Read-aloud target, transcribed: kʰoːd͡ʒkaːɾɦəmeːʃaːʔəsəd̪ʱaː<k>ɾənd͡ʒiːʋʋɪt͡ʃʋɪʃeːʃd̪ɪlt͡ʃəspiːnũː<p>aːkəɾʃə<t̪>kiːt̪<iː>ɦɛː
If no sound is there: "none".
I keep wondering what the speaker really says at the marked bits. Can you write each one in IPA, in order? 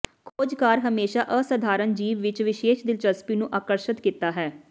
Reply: none, ʔ, t̪, aː

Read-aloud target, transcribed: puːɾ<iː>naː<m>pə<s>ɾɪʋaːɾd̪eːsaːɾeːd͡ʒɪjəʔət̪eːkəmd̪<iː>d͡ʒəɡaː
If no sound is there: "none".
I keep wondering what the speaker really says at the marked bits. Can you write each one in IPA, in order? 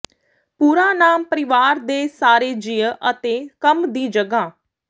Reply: aː, m, none, iː

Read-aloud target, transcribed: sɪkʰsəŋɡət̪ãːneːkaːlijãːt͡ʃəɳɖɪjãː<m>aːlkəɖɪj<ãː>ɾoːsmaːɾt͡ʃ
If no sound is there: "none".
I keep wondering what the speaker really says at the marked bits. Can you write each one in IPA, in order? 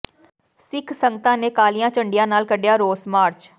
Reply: n, aː

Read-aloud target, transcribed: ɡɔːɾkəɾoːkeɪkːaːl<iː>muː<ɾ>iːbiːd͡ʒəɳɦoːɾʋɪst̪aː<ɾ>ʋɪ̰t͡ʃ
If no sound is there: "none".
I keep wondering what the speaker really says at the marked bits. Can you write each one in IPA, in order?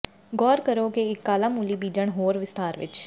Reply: aː, l, ɾ

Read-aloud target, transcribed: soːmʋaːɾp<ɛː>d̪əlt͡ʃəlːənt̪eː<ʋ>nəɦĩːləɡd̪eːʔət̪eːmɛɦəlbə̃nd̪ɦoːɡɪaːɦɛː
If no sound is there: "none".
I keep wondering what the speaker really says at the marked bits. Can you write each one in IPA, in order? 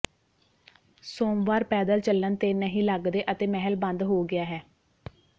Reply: ɛː, none

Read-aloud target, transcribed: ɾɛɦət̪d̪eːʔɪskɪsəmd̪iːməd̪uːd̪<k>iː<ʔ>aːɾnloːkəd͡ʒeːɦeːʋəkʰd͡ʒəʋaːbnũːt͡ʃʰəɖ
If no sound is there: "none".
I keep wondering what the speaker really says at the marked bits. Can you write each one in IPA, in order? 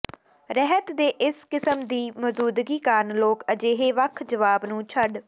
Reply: ɡ, k

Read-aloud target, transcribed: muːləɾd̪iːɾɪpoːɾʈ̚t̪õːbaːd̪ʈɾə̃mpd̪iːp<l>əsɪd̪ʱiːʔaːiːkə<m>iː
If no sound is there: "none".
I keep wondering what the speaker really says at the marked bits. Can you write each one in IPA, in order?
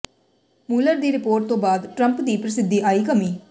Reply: ɾ, m

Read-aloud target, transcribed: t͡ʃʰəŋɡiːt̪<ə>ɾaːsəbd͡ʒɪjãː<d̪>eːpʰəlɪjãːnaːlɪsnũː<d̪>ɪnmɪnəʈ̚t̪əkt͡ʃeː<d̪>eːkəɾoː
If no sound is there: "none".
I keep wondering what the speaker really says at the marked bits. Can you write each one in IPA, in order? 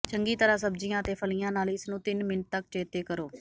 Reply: ə, t̪, t̪, t̪

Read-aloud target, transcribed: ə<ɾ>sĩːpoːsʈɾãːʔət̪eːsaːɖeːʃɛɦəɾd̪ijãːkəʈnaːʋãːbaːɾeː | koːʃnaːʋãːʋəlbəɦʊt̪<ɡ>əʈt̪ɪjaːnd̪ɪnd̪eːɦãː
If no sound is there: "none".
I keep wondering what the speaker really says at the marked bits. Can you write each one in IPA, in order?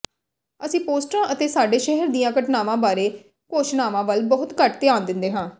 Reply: none, k

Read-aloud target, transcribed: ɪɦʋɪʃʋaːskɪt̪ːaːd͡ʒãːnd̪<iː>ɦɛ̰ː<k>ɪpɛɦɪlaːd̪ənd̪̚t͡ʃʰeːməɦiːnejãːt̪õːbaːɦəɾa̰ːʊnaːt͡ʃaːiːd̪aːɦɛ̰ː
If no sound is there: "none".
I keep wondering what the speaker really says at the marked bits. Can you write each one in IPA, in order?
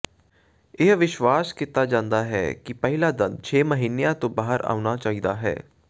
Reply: aː, k

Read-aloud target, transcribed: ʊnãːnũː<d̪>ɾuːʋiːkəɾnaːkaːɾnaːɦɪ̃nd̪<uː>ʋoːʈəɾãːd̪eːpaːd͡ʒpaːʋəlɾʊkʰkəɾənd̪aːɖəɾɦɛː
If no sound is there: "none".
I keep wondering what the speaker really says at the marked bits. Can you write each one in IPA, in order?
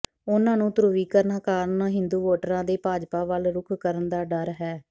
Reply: t̪, uː

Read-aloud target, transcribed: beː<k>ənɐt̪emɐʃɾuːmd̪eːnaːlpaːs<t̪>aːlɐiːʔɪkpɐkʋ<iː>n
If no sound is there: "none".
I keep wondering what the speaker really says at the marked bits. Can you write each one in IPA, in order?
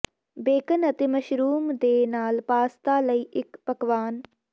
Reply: k, t̪, aː

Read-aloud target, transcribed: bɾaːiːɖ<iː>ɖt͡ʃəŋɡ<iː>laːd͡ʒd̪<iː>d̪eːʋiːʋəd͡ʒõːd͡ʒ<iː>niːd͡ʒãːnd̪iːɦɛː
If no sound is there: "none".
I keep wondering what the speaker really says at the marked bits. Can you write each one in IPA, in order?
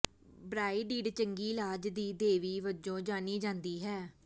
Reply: iː, iː, iː, aː

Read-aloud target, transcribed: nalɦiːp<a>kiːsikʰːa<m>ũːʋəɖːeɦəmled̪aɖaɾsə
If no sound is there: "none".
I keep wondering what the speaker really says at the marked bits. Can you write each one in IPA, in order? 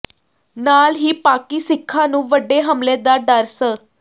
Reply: a, n

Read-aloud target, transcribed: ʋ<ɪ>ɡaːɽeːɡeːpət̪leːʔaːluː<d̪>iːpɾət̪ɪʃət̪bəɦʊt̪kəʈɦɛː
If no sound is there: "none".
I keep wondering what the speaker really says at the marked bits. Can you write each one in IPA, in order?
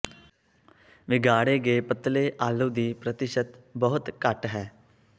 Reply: ɪ, d̪

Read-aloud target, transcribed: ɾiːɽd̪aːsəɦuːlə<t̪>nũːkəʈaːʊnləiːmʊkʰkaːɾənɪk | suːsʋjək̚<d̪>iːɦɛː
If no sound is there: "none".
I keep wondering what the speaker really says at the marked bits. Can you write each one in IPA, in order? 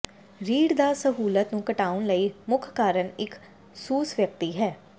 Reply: t̪, t̪

